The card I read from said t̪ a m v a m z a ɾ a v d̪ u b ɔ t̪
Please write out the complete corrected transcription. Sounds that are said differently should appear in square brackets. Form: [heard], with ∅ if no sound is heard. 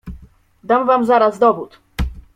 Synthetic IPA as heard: [d̪] a m v a m z a ɾ a [z] d̪ [ɔ] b [u] t̪